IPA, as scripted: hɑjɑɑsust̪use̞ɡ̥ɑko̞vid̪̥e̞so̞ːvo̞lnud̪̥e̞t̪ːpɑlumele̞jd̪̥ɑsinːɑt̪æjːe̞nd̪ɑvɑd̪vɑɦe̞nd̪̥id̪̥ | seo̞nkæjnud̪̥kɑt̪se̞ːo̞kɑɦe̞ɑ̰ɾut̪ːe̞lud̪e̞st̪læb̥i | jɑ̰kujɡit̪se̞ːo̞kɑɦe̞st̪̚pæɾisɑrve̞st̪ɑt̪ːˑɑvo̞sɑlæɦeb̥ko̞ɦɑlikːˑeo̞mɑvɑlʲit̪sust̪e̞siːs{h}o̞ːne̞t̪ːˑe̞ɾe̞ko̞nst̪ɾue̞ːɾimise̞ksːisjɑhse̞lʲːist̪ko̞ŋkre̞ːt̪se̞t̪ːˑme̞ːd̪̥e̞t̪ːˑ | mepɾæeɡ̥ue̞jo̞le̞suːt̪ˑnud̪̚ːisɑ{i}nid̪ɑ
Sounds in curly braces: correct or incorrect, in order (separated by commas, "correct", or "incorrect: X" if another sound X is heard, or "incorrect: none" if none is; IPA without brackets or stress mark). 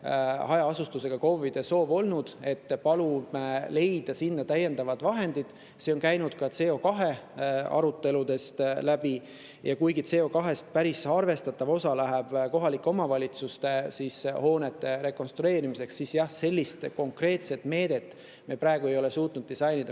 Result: correct, incorrect: j